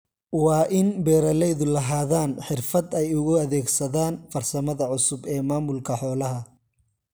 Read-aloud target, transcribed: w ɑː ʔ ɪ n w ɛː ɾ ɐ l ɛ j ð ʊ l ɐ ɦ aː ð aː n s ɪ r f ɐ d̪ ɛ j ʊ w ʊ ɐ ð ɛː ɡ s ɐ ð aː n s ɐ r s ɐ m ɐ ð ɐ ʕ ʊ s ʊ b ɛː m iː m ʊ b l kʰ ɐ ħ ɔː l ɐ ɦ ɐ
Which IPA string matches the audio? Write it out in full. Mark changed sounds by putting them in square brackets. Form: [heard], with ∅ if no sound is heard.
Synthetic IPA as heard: w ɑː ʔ ɪ n [b] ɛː ɾ ɐ l ɛ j ð ʊ l ɐ ɦ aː ð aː n [ħ] ɪ r f ɐ d̪ ɛ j ʊ [ɣ] ʊ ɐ ð ɛː ɡ s ɐ ð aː n [f] ɐ r s ɐ m ɐ ð ɐ ʕ ʊ s ʊ b ɛː m [aː] m ʊ [∅] l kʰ ɐ ħ ɔː l ɐ ɦ ɐ